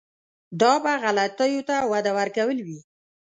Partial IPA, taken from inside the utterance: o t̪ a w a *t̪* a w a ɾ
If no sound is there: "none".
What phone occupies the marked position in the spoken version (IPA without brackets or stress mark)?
d̪